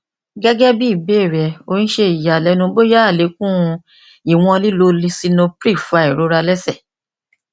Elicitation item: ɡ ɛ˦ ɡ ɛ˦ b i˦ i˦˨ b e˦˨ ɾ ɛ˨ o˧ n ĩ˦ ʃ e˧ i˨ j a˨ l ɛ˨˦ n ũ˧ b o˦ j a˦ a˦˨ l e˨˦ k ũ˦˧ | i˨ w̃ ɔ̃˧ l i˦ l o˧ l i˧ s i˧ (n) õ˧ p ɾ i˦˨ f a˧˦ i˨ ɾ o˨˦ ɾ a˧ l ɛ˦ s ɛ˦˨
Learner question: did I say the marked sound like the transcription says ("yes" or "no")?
yes